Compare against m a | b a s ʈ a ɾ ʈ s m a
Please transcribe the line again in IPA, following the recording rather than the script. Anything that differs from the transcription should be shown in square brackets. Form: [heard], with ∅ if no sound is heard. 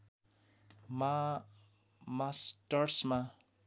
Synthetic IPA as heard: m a | [m] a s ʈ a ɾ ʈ s m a